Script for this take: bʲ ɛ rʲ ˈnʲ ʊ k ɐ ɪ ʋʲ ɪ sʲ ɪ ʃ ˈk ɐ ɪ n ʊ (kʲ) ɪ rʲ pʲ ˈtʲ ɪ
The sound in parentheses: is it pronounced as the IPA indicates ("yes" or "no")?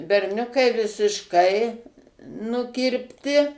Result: yes